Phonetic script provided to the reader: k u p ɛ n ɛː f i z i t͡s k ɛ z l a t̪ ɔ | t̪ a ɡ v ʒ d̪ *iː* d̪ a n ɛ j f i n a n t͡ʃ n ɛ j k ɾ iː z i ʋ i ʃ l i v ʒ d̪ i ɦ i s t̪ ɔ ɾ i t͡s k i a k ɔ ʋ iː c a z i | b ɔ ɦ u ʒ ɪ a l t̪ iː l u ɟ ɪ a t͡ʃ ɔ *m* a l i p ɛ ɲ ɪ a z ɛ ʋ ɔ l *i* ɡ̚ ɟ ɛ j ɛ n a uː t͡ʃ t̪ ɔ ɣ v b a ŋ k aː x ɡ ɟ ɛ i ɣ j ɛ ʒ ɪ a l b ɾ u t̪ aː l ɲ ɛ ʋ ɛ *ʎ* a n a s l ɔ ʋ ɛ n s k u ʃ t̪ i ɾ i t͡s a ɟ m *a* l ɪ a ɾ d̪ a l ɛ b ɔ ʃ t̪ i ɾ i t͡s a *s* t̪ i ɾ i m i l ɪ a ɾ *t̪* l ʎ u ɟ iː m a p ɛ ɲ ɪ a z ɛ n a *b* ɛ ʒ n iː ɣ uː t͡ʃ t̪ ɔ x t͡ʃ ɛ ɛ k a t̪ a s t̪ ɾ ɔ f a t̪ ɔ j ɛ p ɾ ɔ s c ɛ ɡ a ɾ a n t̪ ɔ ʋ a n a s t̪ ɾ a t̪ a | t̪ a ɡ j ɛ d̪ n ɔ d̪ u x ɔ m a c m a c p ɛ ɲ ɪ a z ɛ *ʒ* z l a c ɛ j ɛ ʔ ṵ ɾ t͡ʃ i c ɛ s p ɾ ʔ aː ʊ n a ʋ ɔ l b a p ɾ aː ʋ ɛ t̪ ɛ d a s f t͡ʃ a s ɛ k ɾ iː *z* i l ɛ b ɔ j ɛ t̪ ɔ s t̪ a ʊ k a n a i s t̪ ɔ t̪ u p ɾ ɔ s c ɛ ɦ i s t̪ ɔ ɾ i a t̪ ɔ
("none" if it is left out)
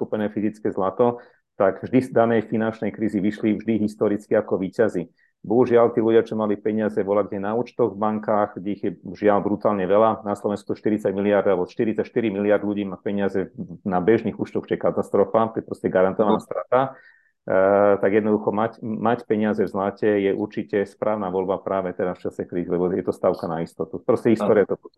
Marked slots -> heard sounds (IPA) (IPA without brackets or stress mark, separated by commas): i, m, a, l, i, ʃ, d̪, b, v, z